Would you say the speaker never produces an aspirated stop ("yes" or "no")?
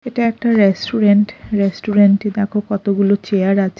no